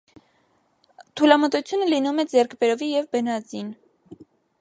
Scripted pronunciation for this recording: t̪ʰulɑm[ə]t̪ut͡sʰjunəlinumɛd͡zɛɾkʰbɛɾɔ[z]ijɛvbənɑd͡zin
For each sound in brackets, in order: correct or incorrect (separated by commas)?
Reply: correct, incorrect